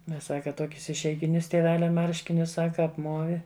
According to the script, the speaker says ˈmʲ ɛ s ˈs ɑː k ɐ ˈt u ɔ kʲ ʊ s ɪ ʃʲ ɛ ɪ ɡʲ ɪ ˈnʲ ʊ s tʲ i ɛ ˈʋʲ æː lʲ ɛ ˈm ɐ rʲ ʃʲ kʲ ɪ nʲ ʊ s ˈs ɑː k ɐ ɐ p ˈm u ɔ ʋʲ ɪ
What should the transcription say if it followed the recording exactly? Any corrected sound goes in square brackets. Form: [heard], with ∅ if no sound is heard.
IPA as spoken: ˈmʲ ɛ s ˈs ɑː k ɐ ˈt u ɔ kʲ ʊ s ɪ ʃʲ ɛ ɪ ɡʲ ɪ ˈnʲ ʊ s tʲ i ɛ ˈʋʲ æː lʲ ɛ ˈm ɐ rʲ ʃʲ kʲ ɪ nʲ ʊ s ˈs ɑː k ɐ ɐ p ˈm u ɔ ʋʲ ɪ